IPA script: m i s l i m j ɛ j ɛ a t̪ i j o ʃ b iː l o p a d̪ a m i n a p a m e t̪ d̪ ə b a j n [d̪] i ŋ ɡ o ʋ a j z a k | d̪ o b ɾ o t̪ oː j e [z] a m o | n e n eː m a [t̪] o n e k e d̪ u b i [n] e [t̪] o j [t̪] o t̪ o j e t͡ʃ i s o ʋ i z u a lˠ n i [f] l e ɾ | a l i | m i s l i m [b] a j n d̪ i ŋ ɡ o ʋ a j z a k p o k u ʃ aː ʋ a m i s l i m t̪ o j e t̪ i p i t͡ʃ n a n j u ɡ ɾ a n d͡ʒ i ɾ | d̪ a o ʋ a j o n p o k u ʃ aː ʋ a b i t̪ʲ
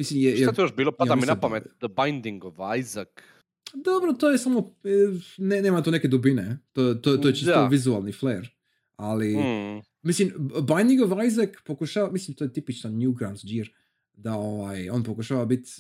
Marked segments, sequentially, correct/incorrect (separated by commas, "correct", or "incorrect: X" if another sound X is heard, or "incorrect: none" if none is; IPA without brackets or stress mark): correct, incorrect: s, correct, correct, correct, correct, correct, correct